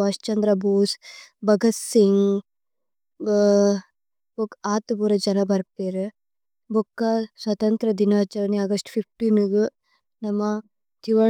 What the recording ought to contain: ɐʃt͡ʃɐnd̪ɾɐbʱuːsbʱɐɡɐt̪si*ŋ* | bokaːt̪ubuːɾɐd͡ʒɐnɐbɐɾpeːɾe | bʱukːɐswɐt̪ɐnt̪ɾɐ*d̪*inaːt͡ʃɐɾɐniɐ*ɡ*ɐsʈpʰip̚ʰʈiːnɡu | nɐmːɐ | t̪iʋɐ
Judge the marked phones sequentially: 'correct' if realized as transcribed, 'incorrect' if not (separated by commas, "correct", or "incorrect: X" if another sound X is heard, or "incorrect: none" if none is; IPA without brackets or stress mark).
correct, correct, correct